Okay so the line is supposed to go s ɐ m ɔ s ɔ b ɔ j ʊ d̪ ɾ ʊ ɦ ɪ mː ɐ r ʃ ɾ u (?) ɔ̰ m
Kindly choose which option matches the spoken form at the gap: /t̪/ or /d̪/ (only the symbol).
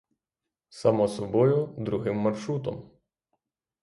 t̪